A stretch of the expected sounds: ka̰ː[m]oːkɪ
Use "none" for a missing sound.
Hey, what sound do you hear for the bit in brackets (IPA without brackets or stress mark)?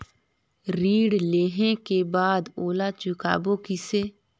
b